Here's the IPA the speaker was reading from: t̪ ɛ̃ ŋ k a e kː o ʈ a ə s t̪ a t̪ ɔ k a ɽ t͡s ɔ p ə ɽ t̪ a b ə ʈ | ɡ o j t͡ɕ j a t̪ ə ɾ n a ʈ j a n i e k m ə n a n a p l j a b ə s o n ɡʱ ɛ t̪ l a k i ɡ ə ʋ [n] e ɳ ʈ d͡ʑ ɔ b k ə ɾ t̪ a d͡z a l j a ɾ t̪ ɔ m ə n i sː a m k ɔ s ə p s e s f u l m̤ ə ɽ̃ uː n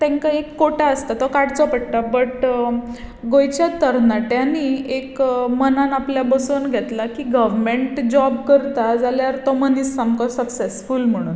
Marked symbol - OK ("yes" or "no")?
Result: no